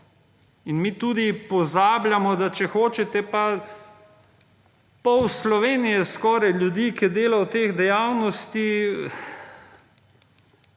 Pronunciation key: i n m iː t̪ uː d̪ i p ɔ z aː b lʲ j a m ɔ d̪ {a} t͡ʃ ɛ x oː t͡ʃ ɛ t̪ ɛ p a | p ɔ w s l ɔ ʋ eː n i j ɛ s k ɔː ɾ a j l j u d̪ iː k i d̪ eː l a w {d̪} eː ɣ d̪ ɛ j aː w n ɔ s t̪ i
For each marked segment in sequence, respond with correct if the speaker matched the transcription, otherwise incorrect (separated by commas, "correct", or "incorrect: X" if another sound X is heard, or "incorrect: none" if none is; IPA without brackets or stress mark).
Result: correct, incorrect: t̪